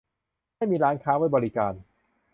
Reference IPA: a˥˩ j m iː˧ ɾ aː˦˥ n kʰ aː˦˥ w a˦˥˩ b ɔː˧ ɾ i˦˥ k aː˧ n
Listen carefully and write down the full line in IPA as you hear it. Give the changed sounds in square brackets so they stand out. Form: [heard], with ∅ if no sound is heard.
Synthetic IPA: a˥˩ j m iː˧ ɾ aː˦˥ n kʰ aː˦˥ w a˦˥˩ b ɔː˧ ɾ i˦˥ k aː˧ n